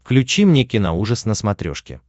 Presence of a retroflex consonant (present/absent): present